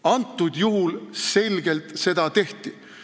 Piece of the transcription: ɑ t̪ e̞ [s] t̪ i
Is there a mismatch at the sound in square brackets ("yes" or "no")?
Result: yes